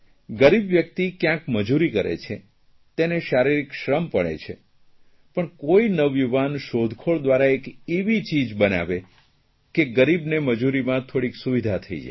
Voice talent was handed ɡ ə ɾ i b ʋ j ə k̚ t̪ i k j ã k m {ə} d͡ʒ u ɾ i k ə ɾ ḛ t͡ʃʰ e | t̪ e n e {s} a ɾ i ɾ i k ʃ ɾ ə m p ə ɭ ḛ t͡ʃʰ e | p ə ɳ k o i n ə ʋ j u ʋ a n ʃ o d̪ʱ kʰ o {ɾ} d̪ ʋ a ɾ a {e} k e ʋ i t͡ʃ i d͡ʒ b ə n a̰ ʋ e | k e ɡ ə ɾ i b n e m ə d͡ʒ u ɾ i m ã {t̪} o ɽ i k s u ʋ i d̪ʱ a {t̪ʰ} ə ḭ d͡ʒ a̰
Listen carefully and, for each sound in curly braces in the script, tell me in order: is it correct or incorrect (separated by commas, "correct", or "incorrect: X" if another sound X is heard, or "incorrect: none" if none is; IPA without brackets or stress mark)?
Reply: correct, incorrect: ʃ, incorrect: ɭ, correct, incorrect: t̪ʰ, correct